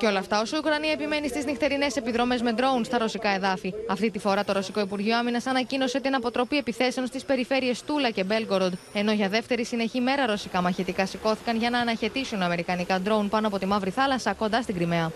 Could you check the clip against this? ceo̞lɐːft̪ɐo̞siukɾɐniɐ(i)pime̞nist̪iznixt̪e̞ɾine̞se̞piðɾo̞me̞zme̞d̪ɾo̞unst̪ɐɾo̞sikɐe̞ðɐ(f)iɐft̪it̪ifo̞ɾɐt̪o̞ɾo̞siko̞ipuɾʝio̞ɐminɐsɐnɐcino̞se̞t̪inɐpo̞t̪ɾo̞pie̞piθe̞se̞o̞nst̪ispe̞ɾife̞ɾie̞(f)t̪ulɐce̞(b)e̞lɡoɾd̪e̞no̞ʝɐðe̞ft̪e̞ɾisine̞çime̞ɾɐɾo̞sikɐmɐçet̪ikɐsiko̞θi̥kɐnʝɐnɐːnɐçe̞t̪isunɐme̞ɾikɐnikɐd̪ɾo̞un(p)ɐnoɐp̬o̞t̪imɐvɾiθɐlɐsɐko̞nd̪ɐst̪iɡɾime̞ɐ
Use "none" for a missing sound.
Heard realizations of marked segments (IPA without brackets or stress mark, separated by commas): e, f, s, b, p